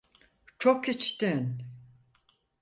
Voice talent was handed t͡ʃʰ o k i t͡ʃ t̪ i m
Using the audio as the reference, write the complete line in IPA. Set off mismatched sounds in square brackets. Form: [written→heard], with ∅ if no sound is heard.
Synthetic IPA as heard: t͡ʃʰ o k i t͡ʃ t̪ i [m→n]